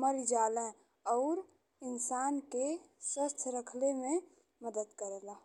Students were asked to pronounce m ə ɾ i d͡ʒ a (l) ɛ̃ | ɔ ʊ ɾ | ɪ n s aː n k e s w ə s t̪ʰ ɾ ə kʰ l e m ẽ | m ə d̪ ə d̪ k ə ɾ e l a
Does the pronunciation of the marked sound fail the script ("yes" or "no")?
no